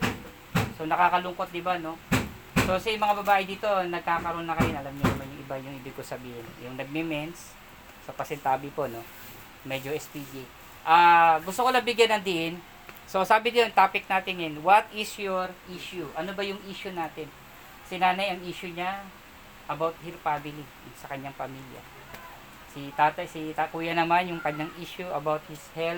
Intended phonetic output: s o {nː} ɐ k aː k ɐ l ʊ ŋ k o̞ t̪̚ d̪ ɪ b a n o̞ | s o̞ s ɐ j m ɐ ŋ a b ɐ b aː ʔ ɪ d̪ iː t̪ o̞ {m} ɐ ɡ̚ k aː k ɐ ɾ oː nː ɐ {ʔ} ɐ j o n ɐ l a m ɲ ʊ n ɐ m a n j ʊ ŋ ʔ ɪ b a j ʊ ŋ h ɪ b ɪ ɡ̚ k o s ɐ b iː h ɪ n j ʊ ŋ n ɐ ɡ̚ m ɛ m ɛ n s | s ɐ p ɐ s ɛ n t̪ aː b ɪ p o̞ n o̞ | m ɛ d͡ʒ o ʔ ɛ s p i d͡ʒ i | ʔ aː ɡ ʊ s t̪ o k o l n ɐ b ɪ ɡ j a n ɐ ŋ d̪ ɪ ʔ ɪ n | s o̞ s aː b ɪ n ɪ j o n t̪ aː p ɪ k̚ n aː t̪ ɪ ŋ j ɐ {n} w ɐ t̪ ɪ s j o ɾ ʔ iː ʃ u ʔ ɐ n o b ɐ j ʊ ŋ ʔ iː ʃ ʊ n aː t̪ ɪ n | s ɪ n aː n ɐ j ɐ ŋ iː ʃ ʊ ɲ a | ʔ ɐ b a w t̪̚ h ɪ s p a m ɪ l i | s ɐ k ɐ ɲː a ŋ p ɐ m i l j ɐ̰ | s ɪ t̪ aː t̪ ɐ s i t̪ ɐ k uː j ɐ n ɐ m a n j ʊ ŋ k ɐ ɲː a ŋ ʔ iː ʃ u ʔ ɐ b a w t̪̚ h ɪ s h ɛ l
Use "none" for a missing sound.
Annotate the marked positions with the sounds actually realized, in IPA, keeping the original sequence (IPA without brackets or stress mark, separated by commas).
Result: n, n, k, n